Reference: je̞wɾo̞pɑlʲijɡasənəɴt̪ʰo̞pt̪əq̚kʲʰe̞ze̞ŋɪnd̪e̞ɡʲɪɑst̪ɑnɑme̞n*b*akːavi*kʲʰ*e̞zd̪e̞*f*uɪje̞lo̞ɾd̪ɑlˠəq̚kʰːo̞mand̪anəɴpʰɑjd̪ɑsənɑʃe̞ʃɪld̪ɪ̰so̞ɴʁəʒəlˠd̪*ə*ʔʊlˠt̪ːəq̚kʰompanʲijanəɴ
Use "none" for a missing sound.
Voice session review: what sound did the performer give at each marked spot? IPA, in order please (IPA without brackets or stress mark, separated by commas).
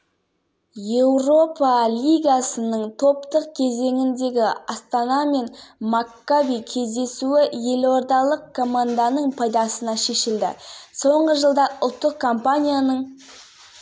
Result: m, kʲʰ, s, ɑ